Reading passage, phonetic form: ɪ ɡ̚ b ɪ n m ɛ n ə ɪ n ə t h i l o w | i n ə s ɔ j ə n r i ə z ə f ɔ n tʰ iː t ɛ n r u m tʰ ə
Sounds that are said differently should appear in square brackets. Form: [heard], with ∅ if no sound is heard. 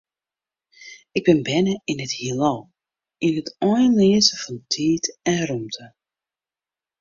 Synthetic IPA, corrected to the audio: ɪ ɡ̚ b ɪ n [b] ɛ n ə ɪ n ə t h i l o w | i n ə [t] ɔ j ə n [l] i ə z ə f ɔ n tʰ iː t ɛ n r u m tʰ ə